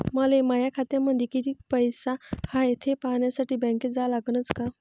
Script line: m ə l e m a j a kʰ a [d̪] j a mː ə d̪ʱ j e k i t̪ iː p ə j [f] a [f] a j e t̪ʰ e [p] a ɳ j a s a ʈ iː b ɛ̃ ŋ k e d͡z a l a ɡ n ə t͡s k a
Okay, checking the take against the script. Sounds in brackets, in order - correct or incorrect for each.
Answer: incorrect: t̪, incorrect: s, incorrect: h, correct

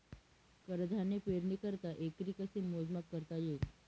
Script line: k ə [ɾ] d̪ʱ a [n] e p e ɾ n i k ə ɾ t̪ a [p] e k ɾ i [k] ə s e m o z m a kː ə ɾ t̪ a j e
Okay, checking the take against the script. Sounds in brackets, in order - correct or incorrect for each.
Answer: correct, correct, incorrect: ʔ, correct

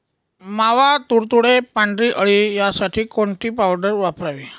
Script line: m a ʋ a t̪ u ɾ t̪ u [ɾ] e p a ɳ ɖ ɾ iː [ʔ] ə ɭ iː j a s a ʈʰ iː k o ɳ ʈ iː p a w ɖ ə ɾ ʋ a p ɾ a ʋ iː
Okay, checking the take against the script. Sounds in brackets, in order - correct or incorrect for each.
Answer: incorrect: ɽ, correct

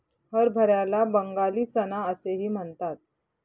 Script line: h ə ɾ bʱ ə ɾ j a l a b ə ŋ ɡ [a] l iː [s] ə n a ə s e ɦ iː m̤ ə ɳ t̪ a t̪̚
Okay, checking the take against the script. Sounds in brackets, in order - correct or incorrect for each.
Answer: correct, incorrect: t͡s

